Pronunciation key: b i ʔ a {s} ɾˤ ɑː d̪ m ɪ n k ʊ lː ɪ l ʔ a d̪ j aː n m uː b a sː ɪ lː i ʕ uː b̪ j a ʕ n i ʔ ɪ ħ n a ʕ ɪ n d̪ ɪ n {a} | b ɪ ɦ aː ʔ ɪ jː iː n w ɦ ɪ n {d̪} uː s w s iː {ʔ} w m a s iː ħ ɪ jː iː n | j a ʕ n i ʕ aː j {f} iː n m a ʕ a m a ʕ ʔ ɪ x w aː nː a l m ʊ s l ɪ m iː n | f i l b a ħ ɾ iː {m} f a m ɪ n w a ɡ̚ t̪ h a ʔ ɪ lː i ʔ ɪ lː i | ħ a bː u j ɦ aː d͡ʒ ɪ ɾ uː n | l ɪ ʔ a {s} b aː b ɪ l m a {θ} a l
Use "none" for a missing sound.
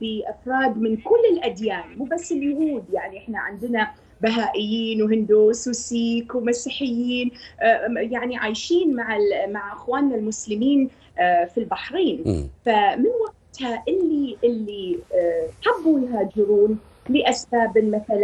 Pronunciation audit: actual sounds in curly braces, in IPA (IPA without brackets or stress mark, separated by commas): f, a, d̪, k, ʃ, n, s, θ